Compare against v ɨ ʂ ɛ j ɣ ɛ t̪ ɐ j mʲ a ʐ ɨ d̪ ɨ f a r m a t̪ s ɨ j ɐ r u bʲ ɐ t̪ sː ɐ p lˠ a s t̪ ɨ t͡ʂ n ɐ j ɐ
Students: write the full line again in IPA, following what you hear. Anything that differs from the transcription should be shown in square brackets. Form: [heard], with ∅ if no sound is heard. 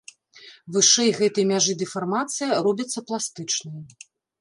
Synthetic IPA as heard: v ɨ ʂ ɛ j ɣ ɛ t̪ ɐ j mʲ a ʐ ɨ d̪ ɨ f a r m a t̪ s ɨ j ɐ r [ɔ] bʲ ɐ t̪ sː ɐ p lˠ a s t̪ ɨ t͡ʂ n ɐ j ɐ